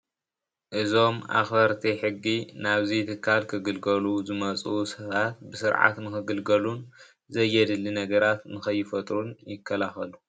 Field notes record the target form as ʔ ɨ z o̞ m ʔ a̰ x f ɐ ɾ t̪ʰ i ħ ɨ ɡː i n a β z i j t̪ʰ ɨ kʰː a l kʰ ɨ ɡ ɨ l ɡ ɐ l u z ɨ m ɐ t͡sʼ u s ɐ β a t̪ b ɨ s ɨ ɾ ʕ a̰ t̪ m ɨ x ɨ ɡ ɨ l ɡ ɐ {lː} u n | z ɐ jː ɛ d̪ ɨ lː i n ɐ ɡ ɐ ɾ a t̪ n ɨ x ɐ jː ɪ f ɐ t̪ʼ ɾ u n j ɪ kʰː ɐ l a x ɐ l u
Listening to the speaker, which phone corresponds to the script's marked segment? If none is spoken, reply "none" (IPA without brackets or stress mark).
l